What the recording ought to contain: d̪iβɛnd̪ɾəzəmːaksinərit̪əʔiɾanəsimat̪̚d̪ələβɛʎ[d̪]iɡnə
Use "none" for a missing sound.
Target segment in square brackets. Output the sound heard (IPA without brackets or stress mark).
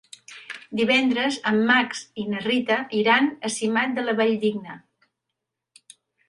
d̪